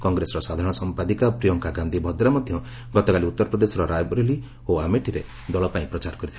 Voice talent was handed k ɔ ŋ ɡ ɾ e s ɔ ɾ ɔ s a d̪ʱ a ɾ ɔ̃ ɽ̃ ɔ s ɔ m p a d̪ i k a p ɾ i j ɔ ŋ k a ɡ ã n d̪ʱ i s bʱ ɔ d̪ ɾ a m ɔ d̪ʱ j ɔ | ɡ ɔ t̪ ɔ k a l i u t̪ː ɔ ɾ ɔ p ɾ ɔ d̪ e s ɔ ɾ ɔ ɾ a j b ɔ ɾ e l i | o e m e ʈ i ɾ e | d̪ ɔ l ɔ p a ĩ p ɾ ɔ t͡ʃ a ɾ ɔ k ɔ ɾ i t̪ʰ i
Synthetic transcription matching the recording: k ɔ ŋ ɡ ɾ e s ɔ ɾ ɔ s a d̪ʱ a ɾ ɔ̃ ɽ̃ ɔ s ɔ m p a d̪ i k a p ɾ i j ɔ ŋ k a ɡ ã n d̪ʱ i bʱ ɔ d̪ ɾ a m ɔ d̪ʱ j ɔ | ɡ ɔ t̪ ɔ k a l i u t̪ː ɔ ɾ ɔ p ɾ ɔ d̪ e s ɔ ɾ ɔ ɾ a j b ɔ ɾ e l i | o a m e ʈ i ɾ e | d̪ ɔ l ɔ p a ĩ p ɾ ɔ t͡ʃ a ɾ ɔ k ɔ ɾ i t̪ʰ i

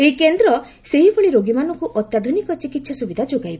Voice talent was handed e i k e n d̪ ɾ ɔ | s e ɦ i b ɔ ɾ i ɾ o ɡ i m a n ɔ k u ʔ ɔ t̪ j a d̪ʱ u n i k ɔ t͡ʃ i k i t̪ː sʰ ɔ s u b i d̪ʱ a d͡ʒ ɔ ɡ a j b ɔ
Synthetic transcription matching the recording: e i k e n d̪ ɾ ɔ | s e ɦ i b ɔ ɭ i ɾ o ɡ i m a n ɔ k u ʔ ɔ t̪ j a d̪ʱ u n i k ɔ t͡ʃ i k i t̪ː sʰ ɔ s u b i d̪ʱ a d͡ʒ o ɡ a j b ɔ

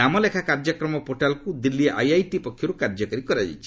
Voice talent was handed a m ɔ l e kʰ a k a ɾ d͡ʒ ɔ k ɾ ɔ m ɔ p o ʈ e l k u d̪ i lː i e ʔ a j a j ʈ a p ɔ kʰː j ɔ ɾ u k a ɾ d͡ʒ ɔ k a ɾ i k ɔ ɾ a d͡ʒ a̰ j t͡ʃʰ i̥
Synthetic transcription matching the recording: a m ɔ l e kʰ a k a ɾ d͡ʒ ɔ k ɾ ɔ m ɔ p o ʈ a l k u d̪ i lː i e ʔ a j a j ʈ i p ɔ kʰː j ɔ ɾ u k a ɾ d͡ʒ ɔ k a ɾ i k ɔ ɾ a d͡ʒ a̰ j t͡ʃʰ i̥

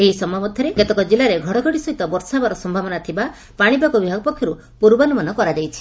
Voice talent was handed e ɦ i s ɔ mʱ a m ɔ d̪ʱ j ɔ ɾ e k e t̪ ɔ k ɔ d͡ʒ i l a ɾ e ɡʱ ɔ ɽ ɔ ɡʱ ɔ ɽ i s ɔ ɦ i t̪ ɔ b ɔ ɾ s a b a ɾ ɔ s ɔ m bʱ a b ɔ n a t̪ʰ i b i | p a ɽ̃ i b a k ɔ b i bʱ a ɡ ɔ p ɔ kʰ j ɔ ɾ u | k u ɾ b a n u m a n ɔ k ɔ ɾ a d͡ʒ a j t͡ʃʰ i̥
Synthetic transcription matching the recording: e ɦ i s ɔ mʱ a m ɔ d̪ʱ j ɔ ɾ e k e t̪ ɔ k ɔ d͡ʒ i l a ɾ e ɡʱ ɔ ɽ ɔ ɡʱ ɔ ɽ i s ɔ ɦ i t̪ ɔ b ɔ ɾ s a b a ɾ ɔ s ɔ m bʱ a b ɔ n a t̪ʰ i b a | p a ɽ̃ i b a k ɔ b i bʱ a ɡ ɔ p ɔ kʰ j ɔ ɾ u | p u ɾ b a n u m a n ɔ k ɔ ɾ a d͡ʒ a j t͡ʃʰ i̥

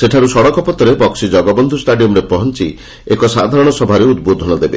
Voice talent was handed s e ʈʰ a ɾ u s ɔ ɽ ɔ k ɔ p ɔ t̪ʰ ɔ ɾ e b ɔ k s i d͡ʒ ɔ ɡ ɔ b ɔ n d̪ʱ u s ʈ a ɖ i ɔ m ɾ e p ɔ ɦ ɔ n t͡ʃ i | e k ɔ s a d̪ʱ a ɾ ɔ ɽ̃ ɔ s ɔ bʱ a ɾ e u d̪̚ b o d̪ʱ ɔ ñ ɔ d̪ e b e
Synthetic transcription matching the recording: s e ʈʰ a ɾ u s ɔ ɽ ɔ k ɔ p ɔ t̪ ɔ ɾ e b ɔ k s i d͡ʒ ɔ ɡ ɔ b ɔ n d̪ʱ u s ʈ a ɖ i ɔ m ɾ e p ɔ ɦ ɔ n t͡ʃ i | e k ɔ s a d̪ʱ a ɾ ɔ ɽ̃ ɔ s ɔ bʱ a ɾ e u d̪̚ b o d̪ʱ ɔ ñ ɔ d̪ e b e

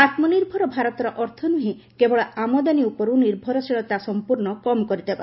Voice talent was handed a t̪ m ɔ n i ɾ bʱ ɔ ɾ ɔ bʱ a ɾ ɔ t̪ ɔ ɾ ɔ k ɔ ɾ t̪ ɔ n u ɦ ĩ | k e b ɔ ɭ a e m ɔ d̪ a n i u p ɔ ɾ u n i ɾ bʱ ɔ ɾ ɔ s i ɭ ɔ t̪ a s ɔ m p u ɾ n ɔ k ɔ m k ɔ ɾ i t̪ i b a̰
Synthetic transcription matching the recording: a t̪ m ɔ n i ɾ bʱ ɔ ɾ ɔ bʱ a ɾ ɔ t̪ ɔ ɾ ɔ ʔ ɔ ɾ t̪ʰ ɔ n u ɦ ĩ | k e b ɔ ɭ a a m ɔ d̪ a n i u p ɔ ɾ u n i ɾ bʱ ɔ ɾ ɔ s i ɭ ɔ t̪ a s ɔ m p u ɾ n ɔ k ɔ m k ɔ ɾ i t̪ e b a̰

